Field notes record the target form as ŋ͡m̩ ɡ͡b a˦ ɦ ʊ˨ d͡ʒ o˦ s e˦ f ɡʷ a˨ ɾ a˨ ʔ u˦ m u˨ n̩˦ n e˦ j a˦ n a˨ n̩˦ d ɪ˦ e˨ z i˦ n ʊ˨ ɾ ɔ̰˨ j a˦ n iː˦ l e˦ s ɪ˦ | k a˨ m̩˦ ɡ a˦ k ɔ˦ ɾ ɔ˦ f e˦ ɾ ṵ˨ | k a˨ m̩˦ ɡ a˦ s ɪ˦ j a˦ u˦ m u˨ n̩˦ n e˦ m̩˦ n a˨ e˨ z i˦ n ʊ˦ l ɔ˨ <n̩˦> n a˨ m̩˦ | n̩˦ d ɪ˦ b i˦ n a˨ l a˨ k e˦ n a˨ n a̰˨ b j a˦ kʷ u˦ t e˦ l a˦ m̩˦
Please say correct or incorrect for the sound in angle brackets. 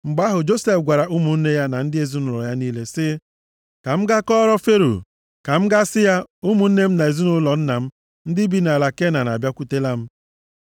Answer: correct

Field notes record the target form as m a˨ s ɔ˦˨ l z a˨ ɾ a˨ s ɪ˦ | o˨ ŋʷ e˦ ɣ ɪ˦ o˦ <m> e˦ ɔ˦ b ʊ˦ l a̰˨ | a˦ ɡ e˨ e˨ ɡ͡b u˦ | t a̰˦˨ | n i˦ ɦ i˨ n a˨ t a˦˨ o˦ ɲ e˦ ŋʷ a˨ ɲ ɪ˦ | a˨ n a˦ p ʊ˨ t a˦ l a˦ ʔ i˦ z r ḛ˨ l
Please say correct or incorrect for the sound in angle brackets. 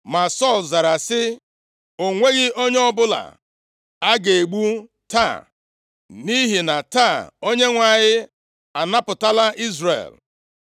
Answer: incorrect: ɲ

